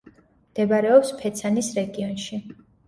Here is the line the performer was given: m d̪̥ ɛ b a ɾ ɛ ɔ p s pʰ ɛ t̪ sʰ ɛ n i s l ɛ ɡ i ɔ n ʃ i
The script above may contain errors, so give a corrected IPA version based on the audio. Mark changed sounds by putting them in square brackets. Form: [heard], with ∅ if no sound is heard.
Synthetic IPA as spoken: m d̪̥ ɛ b a ɾ ɛ ɔ p s pʰ ɛ t̪ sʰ [a] n i s [ɾ] ɛ ɡ i ɔ n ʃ i